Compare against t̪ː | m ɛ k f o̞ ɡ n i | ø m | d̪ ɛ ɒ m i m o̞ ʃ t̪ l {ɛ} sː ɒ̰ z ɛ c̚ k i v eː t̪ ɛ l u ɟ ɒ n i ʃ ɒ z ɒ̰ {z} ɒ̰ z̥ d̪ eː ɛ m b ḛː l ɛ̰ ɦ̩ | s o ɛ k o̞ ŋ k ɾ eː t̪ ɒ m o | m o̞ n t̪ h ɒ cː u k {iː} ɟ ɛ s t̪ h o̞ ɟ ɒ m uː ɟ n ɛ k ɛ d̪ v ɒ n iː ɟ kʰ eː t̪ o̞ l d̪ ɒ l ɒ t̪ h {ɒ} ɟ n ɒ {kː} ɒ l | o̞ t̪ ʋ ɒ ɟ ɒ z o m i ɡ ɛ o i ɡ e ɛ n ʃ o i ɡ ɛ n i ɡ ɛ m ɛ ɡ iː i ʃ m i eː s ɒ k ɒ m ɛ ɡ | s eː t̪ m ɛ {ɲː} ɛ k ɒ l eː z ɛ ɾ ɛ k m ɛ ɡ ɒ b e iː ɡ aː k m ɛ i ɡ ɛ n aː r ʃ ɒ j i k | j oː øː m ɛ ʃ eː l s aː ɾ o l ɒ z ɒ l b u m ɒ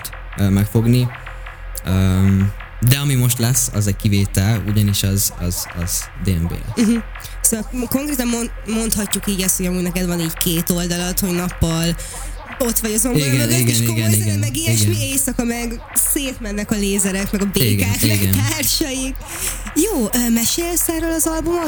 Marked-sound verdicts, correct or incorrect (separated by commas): correct, correct, correct, incorrect, incorrect, incorrect